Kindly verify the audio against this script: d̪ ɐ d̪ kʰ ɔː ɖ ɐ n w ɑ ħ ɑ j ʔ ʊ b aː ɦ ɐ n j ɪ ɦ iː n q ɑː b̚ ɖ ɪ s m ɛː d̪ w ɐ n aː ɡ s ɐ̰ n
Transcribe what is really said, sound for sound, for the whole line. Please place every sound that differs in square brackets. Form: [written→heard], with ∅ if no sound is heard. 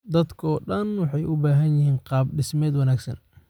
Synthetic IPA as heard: d̪ ɐ d̪ kʰ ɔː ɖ ɐ n w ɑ ħ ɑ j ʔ ʊ b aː ɦ ɐ n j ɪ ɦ iː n q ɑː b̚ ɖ ɪ s m ɛː d̪ w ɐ n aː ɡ s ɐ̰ n